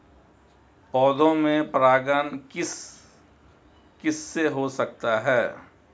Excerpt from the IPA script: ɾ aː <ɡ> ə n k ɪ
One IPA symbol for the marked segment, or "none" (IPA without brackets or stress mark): ɡ